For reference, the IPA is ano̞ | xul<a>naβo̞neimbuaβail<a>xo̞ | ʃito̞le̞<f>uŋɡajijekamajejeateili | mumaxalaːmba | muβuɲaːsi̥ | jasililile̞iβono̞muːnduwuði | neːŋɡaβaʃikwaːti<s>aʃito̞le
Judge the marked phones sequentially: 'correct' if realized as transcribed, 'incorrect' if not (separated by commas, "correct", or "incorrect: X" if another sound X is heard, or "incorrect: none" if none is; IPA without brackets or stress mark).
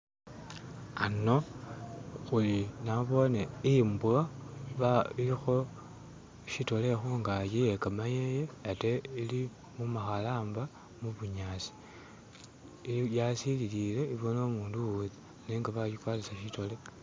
incorrect: i, incorrect: i, incorrect: x, correct